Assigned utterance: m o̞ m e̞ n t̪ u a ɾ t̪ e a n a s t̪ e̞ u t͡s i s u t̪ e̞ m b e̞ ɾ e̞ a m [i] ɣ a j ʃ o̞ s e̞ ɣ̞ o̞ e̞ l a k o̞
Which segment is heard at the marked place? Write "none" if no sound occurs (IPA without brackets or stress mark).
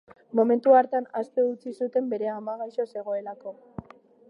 a